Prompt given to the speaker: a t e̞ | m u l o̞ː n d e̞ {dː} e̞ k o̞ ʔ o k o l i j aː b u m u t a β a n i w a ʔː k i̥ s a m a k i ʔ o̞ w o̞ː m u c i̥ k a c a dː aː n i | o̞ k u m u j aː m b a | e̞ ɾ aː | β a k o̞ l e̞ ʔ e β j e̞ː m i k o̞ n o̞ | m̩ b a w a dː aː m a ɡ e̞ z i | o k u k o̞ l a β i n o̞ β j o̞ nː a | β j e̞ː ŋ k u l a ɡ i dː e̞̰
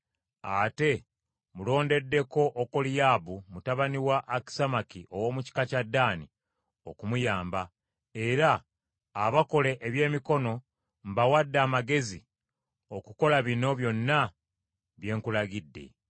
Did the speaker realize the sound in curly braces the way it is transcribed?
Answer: yes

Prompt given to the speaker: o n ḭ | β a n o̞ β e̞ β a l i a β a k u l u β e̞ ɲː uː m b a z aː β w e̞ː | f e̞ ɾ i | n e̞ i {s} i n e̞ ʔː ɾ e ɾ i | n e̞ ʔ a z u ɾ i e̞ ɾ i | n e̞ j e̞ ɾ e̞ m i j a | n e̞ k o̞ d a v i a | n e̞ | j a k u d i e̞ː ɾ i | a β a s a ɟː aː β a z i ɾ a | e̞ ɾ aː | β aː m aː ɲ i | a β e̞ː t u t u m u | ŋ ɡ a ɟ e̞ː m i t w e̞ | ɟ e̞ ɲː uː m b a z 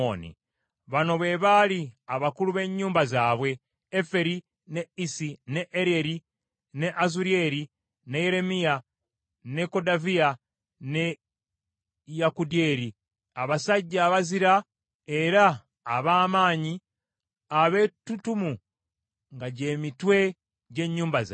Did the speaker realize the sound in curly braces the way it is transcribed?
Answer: yes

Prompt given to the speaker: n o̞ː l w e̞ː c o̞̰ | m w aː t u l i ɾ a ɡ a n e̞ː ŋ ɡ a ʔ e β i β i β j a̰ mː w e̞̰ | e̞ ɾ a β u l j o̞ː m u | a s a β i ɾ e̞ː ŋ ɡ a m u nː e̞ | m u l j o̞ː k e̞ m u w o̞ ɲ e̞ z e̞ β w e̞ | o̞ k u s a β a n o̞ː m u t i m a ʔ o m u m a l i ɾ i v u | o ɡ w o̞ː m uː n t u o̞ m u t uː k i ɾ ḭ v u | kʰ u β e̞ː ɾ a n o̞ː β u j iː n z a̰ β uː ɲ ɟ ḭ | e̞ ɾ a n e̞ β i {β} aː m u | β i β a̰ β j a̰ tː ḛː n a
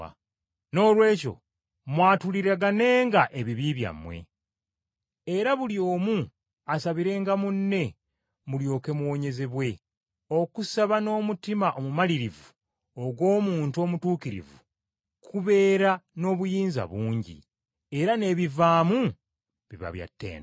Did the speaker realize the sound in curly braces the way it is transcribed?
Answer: no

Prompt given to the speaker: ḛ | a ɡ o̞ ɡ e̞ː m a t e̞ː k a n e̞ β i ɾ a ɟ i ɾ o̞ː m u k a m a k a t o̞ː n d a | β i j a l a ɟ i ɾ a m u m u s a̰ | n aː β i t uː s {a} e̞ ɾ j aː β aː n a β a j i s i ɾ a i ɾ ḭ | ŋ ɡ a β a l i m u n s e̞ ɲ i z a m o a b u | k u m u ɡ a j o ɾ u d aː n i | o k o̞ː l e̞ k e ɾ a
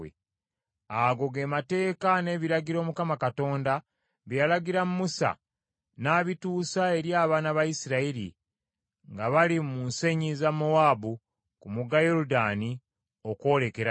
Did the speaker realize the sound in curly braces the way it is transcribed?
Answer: yes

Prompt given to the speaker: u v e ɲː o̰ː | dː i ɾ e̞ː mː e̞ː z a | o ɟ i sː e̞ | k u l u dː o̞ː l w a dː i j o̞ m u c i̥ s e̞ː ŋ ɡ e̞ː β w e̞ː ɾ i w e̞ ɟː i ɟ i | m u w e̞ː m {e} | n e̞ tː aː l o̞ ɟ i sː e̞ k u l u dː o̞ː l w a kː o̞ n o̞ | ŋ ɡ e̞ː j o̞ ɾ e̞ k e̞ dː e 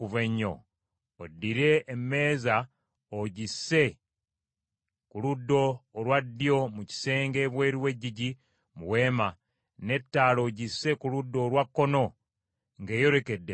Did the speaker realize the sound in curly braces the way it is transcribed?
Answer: no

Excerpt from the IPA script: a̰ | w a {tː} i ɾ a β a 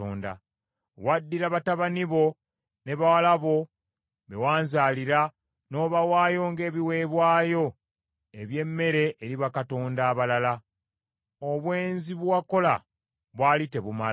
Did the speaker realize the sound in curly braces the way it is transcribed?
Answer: no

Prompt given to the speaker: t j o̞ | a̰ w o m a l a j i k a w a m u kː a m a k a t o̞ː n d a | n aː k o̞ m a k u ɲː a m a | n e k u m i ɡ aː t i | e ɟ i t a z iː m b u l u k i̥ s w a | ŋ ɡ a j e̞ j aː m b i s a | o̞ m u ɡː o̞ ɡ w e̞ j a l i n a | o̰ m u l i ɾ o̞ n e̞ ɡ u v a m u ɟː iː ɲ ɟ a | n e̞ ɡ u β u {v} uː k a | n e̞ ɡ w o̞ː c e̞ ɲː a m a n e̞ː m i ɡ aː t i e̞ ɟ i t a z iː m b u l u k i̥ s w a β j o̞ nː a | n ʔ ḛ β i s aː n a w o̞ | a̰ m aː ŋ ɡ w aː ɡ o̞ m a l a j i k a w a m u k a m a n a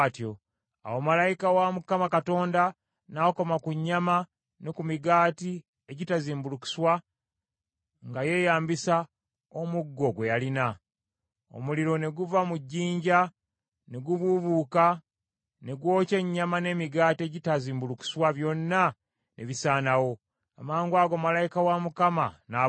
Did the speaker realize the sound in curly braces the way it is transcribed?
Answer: no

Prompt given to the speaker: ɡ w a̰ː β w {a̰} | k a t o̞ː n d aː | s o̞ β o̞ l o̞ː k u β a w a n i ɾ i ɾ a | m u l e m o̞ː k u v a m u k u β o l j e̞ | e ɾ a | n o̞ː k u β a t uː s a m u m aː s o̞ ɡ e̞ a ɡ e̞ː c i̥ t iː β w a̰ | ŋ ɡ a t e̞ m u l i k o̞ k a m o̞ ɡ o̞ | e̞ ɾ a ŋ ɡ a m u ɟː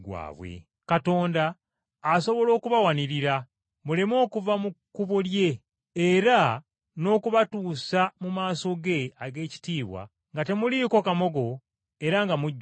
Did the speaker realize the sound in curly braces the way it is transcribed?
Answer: no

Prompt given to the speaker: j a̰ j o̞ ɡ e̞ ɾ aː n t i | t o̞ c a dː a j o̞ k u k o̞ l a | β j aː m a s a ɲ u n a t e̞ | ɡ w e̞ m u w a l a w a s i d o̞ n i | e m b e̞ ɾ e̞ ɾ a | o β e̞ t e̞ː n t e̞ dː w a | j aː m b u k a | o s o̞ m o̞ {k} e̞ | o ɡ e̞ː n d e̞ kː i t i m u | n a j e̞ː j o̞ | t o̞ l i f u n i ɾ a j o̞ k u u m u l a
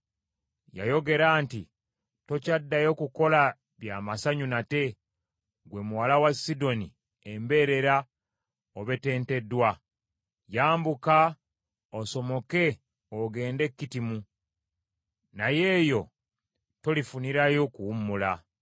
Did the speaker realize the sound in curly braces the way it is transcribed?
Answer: yes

